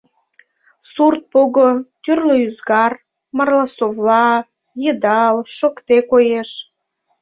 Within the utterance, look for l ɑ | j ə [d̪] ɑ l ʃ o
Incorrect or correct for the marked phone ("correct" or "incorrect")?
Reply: correct